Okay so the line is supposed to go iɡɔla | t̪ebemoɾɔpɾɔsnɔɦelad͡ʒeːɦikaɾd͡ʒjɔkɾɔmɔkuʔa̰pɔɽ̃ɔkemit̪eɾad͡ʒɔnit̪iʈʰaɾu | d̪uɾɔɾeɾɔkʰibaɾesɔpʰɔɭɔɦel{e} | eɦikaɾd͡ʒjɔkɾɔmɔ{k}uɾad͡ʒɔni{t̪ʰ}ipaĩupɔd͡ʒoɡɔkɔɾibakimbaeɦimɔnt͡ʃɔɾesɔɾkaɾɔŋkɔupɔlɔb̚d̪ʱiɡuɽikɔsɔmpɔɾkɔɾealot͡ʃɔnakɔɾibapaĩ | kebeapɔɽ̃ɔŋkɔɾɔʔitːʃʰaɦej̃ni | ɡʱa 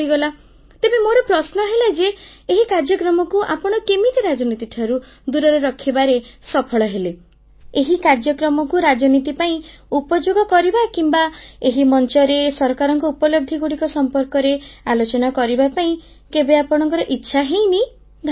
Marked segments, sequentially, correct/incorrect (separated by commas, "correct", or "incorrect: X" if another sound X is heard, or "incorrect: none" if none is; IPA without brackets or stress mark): correct, correct, incorrect: t̪